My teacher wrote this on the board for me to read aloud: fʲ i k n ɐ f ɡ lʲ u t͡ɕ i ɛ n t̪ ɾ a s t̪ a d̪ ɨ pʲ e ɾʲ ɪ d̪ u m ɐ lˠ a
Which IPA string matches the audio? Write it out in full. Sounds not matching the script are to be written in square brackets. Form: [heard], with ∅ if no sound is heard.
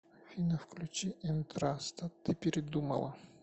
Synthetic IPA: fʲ i [∅] n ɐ f [k] lʲ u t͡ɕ i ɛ n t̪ ɾ a s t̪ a [t̪] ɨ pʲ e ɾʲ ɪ d̪ u m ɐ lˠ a